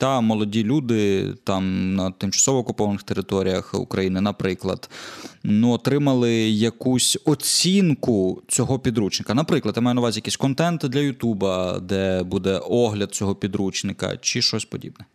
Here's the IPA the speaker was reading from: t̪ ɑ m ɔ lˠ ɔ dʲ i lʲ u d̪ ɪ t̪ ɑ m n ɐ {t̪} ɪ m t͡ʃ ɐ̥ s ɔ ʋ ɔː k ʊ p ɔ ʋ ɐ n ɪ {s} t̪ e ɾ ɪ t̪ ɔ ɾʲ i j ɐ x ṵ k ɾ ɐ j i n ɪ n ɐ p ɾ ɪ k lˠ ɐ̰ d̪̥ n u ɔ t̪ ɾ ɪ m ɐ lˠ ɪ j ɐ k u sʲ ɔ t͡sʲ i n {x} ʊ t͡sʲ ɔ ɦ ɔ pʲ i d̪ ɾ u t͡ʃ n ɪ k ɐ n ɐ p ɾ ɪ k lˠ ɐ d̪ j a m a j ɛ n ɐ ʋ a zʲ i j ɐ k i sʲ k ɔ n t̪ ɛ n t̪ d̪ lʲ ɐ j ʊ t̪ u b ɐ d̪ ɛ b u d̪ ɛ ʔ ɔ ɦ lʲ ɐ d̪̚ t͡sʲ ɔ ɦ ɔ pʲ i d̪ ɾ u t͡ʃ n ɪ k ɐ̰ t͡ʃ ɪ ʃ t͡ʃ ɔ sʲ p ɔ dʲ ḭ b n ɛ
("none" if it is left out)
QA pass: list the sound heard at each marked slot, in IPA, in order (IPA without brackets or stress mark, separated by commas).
t̪, x, k